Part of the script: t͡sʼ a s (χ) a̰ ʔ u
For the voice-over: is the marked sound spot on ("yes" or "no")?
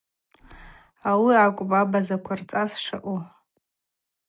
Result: no